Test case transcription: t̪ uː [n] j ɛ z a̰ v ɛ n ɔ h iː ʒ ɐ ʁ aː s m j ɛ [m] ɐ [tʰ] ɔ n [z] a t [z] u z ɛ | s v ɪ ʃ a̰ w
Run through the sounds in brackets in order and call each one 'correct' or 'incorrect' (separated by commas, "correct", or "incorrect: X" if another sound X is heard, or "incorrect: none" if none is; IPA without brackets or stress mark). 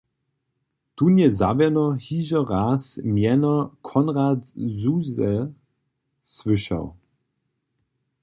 correct, incorrect: n, incorrect: kʰ, incorrect: ʁ, correct